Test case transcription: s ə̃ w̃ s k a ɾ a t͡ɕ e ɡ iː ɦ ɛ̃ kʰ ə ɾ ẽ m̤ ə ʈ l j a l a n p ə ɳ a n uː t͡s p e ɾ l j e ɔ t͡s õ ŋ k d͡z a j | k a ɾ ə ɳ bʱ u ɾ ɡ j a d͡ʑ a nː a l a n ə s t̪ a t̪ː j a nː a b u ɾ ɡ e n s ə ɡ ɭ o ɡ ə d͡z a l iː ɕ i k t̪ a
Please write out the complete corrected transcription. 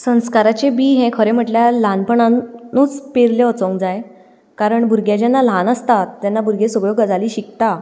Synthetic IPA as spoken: s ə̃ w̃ s k a ɾ a t͡ɕ e b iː ɦ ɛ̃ kʰ ə ɾ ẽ m̤ ə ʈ l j a l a n p ə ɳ a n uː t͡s p e ɾ l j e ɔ t͡s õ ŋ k d͡z a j | k a ɾ ə ɳ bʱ u ɾ ɡ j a d͡ʑ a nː a l a n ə s t̪ a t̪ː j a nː a b u ɾ ɡ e s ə ɡ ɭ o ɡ ə d͡z a l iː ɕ i k t̪ a